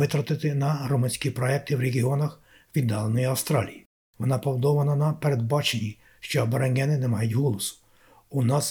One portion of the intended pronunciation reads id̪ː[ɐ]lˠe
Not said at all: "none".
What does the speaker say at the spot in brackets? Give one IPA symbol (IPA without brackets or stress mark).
ɑ